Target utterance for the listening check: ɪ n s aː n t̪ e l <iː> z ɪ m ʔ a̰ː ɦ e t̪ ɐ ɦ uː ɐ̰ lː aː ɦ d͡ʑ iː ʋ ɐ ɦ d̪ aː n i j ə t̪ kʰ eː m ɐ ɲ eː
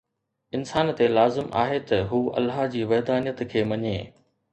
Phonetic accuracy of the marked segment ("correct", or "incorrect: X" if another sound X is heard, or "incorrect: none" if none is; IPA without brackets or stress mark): incorrect: aː